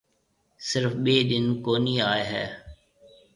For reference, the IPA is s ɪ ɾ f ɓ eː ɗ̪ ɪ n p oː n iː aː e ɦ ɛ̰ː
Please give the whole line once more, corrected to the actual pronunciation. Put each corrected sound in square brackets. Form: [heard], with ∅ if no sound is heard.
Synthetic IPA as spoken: s ɪ ɾ f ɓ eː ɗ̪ ɪ n [k] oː n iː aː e ɦ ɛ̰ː